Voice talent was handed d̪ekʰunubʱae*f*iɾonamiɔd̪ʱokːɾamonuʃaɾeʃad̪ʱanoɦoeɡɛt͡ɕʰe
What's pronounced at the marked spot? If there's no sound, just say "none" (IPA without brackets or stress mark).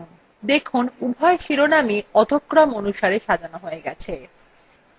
ʃ